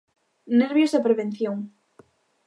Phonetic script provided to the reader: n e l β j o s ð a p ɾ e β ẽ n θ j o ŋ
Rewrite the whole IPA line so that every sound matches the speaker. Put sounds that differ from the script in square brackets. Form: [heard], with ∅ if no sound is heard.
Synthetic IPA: n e [ɾ] β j o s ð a p ɾ e β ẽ n θ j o ŋ

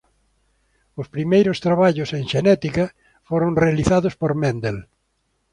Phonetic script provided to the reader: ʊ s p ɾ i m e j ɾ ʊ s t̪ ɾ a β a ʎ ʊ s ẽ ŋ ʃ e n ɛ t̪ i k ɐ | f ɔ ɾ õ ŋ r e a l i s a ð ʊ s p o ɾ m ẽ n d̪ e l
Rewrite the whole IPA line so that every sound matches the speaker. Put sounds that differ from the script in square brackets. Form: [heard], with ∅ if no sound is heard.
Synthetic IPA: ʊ s p ɾ i m e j ɾ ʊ s t̪ ɾ a β a ʎ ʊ s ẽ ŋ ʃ e n ɛ t̪ i k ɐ | f [o] ɾ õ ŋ r e a l i [θ] a ð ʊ s p o ɾ m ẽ n d̪ e l

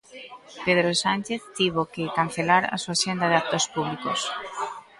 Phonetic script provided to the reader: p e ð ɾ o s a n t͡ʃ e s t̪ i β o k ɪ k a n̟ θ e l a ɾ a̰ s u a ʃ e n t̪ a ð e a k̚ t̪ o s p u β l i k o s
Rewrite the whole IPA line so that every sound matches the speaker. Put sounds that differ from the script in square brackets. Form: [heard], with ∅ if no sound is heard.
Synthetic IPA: p e ð ɾ o s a n t͡ʃ e [θ] t̪ i β o k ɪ k a n̟ θ e l a ɾ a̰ s u a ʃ e n [d̪] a ð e a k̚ t̪ o s p u β l i k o s

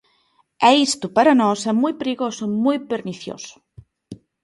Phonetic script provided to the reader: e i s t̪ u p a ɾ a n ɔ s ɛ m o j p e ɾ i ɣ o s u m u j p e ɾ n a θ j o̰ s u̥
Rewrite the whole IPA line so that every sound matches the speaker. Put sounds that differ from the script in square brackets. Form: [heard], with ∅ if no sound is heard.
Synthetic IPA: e i s t̪ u p a ɾ a n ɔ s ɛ m [u] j p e ɾ i ɣ o s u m u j p e ɾ n [i] θ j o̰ s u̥

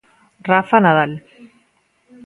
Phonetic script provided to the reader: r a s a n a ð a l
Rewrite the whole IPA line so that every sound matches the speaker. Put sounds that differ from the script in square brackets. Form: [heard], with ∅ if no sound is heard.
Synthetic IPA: r a [f] a n a ð a l

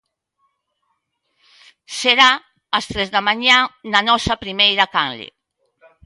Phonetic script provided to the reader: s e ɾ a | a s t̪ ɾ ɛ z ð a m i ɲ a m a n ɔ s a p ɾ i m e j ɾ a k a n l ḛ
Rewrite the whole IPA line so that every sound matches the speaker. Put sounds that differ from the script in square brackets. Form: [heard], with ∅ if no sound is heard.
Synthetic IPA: s e ɾ a | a s t̪ ɾ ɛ z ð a m [a] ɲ a [n] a n ɔ s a p ɾ i m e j ɾ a k a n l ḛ

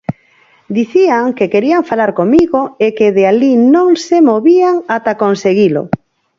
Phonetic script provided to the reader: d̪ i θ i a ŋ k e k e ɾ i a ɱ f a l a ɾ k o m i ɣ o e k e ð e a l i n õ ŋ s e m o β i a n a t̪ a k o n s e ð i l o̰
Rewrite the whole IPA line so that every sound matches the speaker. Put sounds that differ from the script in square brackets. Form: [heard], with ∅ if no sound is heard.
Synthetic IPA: d̪ i θ i a ŋ k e k e ɾ i a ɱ f a l a ɾ k o m i ɣ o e k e ð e a l i n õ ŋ s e m o β i a [ŋ] a t̪ a k o n s e [ɣ] i l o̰

